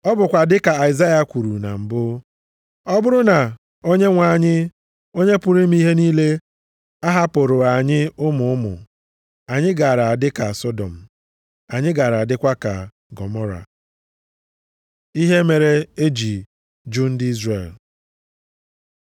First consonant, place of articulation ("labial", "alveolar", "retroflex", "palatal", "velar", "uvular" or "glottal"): labial